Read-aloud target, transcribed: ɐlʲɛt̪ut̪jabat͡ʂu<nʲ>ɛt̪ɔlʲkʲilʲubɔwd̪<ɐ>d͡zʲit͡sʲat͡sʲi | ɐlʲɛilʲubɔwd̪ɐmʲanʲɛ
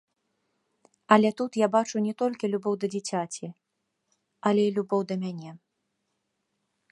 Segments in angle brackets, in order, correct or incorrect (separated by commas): correct, correct